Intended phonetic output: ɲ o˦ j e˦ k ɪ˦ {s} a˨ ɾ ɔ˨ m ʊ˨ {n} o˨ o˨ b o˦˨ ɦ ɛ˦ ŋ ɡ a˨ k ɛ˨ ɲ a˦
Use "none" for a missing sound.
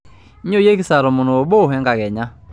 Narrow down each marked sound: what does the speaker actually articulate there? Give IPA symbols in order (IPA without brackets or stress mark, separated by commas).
s, n